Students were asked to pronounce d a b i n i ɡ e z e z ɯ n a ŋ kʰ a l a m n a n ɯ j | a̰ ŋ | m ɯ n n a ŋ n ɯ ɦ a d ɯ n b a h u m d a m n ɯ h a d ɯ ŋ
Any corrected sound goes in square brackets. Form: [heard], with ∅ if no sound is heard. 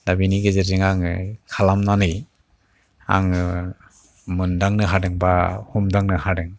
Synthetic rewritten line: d a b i n i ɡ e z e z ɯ [ŋ] a ŋ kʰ a l a m n a n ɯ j | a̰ ŋ | m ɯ n [d] a ŋ n ɯ ɦ a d ɯ [ŋ] b a h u m d a [ŋ] n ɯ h a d ɯ ŋ